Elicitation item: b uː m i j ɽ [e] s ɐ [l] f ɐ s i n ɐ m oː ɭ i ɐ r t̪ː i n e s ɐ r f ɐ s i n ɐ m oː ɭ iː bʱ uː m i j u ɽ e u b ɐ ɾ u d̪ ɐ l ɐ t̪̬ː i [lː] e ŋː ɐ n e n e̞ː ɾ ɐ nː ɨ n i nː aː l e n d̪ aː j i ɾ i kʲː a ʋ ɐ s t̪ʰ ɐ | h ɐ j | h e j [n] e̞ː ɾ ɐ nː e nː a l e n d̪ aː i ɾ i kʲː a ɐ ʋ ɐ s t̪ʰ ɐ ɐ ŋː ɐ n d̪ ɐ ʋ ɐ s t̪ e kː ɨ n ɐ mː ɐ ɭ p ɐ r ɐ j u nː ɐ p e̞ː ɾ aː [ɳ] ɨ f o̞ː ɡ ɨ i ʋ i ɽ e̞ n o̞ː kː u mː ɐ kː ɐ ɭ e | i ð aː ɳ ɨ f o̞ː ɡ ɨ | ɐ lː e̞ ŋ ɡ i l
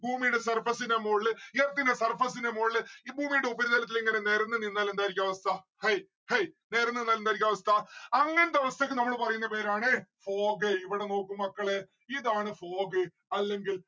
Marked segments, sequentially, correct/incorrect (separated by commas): correct, incorrect, incorrect, correct, correct